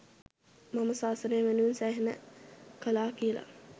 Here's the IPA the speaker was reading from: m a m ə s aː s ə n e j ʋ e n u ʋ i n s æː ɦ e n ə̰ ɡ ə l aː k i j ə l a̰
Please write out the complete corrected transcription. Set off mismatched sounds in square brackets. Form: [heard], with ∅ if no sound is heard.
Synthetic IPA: m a m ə s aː s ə n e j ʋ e n u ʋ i n s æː ɦ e n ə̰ [k] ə l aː k i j ə l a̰